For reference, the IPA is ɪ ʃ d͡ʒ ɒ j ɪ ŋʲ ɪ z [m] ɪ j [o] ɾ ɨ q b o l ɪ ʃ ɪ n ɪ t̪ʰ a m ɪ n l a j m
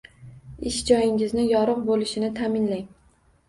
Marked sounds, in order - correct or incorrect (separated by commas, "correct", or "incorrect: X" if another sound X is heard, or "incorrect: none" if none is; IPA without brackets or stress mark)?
incorrect: n, incorrect: ɒ